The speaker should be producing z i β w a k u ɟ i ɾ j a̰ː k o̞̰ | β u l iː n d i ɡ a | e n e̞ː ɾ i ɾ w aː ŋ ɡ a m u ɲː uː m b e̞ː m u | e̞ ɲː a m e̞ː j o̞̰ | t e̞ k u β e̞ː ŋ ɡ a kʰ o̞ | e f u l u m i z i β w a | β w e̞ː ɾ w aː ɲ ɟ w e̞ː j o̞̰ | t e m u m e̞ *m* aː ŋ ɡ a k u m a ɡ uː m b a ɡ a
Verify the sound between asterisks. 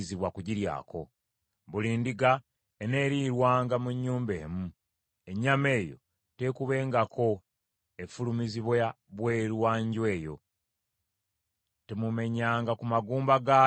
incorrect: ɲ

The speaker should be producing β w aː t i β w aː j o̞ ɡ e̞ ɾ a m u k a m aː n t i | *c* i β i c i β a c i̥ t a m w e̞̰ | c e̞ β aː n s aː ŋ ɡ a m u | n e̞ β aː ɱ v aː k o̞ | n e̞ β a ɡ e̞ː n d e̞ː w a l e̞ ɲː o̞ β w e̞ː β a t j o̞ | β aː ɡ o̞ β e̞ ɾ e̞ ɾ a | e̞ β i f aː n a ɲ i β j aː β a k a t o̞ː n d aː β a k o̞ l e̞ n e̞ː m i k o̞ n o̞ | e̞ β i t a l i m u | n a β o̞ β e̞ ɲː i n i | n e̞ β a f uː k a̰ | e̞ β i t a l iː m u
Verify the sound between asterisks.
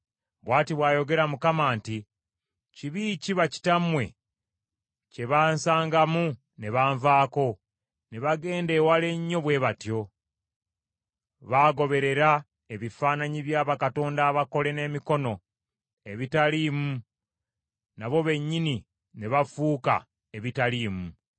correct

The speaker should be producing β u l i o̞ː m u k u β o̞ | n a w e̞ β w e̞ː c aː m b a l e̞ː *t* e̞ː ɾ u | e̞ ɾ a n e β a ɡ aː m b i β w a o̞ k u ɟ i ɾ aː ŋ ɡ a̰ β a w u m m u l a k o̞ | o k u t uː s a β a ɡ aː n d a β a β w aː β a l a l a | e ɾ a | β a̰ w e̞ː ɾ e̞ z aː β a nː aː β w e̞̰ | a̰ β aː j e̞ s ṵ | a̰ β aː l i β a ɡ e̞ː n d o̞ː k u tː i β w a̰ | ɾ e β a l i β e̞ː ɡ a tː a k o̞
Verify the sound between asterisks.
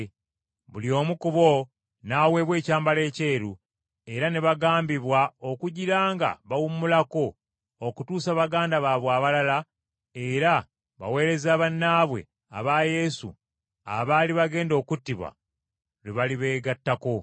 incorrect: c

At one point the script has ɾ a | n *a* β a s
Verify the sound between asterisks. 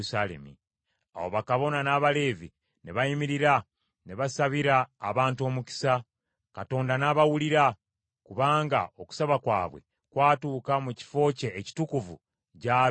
incorrect: e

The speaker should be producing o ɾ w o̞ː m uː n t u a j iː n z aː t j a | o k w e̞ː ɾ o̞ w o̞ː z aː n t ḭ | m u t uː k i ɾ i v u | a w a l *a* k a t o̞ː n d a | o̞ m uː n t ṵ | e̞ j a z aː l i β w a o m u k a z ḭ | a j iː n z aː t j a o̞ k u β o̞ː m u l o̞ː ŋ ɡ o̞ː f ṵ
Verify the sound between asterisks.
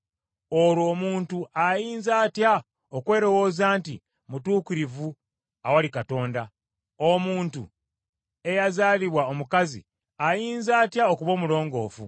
incorrect: i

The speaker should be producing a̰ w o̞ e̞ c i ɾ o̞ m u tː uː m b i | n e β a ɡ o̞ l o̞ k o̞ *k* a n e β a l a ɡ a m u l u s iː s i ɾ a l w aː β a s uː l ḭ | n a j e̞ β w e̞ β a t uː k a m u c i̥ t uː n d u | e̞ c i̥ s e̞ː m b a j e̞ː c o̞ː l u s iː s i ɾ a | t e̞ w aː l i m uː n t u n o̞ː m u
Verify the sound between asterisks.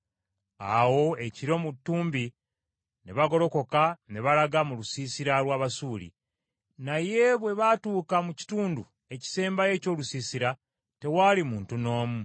correct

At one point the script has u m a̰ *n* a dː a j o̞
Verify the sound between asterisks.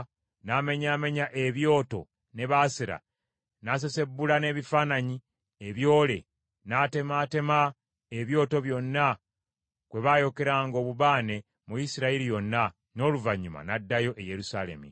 correct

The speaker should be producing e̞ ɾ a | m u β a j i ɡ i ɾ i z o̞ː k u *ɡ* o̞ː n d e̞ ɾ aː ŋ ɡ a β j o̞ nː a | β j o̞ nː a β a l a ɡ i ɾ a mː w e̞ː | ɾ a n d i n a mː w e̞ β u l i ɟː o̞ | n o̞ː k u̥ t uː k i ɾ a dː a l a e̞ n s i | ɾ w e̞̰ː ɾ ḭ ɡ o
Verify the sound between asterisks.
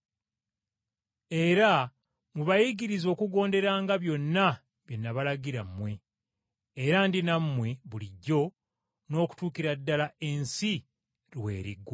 correct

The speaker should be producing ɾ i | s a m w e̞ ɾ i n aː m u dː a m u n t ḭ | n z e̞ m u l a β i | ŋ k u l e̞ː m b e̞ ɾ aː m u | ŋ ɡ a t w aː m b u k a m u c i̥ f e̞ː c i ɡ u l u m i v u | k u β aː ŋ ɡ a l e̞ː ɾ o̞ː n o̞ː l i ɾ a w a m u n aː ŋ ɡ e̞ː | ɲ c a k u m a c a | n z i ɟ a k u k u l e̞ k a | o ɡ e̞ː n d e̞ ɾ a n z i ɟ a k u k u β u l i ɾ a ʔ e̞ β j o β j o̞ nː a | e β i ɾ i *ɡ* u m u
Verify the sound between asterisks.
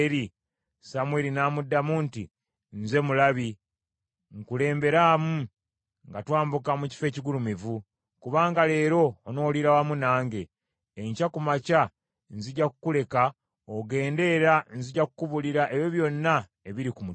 incorrect: k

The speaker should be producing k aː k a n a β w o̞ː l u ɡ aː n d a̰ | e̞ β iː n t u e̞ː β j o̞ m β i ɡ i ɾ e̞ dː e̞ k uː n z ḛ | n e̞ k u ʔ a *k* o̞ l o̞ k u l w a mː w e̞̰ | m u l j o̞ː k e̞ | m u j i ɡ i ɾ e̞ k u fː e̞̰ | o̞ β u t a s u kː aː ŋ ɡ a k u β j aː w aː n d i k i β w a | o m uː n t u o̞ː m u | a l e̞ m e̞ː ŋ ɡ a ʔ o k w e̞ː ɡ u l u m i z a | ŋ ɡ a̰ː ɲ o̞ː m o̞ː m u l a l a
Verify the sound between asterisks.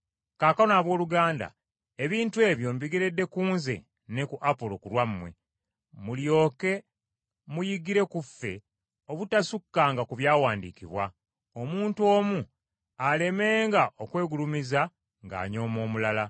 incorrect: p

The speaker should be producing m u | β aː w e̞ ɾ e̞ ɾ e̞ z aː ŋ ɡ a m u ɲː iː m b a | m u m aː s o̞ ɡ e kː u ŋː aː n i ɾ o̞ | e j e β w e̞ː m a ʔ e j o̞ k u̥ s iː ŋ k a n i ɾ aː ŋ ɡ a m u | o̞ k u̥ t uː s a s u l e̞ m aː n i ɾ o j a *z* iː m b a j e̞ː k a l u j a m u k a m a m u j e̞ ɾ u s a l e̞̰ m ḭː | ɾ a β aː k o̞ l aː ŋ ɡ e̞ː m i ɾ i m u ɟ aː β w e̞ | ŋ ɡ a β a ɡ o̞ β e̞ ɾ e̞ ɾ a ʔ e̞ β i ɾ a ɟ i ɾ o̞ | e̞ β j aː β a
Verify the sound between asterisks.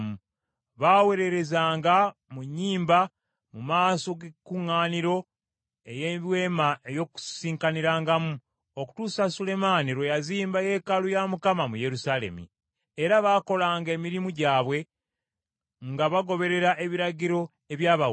correct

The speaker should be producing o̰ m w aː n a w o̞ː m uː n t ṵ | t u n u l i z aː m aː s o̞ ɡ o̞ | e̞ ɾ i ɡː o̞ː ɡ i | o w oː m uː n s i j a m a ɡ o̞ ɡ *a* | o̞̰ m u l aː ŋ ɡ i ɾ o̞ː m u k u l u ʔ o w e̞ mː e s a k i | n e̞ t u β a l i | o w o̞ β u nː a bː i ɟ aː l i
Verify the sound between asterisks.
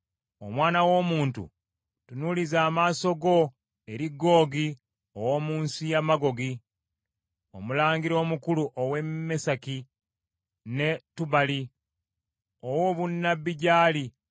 incorrect: i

